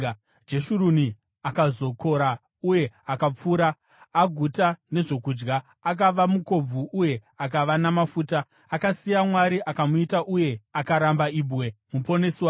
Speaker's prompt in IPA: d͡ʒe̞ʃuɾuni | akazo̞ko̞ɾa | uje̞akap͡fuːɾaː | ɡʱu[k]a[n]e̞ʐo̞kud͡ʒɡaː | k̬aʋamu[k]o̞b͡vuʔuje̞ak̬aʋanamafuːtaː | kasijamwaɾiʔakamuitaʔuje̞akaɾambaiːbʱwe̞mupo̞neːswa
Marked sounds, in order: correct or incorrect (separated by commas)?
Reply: incorrect, correct, correct